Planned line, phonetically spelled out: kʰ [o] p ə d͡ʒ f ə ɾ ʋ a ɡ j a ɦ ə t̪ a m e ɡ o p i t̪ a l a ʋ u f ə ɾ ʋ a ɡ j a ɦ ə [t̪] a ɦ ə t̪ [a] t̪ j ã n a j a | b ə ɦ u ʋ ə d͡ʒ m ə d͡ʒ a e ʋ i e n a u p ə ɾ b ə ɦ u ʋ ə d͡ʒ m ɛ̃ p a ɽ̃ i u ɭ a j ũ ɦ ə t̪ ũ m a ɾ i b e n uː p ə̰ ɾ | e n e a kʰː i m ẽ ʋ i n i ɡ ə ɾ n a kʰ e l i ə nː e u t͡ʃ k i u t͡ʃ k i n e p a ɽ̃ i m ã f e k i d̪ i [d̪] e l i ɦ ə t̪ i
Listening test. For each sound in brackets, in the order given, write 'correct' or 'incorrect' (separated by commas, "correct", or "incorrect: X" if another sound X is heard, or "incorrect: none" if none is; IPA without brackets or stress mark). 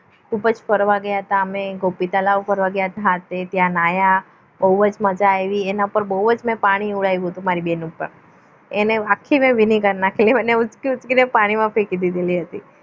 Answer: incorrect: u, correct, incorrect: e, correct